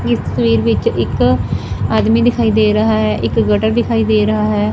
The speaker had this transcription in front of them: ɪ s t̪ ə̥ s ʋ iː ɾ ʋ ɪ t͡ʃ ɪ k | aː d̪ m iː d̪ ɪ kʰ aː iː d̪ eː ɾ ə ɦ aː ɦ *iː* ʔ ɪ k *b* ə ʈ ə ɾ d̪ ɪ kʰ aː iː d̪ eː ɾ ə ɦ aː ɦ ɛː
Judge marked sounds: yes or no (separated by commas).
no, no